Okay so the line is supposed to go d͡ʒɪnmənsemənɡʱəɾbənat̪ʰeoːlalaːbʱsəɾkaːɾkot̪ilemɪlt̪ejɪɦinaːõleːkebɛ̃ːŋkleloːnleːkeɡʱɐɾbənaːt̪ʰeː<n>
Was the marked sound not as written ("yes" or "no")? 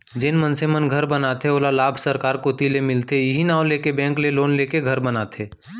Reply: yes